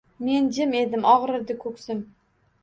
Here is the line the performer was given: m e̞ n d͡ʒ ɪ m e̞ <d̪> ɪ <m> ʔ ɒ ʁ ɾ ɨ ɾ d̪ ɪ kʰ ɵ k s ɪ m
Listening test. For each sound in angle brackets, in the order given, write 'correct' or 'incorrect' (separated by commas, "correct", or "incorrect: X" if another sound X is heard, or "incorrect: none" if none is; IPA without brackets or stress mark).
correct, correct